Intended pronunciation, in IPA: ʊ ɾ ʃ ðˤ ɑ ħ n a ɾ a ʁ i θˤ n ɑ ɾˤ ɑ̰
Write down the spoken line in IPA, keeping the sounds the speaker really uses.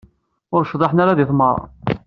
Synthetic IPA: ʊ ɾ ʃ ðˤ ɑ ħ n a ɾ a ð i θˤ m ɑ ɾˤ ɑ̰